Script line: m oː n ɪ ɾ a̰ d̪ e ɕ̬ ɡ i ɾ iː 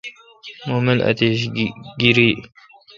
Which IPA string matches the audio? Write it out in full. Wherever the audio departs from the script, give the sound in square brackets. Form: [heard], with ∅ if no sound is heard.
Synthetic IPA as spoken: m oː [m] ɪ [l] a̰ [t̪] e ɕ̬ ɡ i ɾ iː